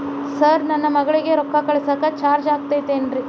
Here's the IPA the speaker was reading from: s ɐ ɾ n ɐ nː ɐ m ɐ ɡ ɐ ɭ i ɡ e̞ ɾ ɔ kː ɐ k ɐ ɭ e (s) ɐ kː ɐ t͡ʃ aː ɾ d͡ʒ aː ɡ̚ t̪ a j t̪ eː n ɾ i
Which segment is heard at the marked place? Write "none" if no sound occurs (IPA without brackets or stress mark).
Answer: s